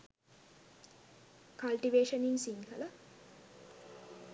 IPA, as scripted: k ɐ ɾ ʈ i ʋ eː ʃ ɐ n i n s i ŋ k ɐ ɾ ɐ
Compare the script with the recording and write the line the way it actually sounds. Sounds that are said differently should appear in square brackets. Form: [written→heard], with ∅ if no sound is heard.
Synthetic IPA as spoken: k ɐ [ɾ→l] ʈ i ʋ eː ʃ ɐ n i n s i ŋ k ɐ [ɾ→l] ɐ